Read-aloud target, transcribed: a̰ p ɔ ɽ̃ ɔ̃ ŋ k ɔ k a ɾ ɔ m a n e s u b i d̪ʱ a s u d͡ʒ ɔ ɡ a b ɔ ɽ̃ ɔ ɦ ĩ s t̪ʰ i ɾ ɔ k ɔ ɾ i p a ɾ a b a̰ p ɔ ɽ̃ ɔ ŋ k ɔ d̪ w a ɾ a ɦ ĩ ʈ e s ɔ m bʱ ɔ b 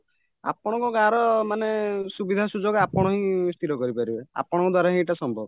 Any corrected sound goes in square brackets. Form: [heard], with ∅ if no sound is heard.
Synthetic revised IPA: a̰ p ɔ ɽ̃ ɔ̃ ŋ k ɔ k a ɾ ɔ m a n e s u b i d̪ʱ a s u d͡ʒ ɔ ɡ a [p] ɔ ɽ̃ ɔ ɦ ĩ s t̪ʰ i ɾ ɔ k ɔ ɾ i p a ɾ [i] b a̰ p ɔ ɽ̃ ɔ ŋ k ɔ d̪ w a ɾ a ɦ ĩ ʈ [a] s ɔ m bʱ ɔ b